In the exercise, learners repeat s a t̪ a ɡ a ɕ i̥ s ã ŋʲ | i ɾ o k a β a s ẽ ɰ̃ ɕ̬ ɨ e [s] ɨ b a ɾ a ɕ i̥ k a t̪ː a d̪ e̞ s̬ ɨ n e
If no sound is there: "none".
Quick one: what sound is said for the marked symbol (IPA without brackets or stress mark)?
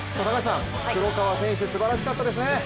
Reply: s